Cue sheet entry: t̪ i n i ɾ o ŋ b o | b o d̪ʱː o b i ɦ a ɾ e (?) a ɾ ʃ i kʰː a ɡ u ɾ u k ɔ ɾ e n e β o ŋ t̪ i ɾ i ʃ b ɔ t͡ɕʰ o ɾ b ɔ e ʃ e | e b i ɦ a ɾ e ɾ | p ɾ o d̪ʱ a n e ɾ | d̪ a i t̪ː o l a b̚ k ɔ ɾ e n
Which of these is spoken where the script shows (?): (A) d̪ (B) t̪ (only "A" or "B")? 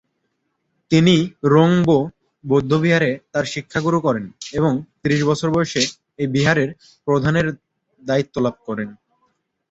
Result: B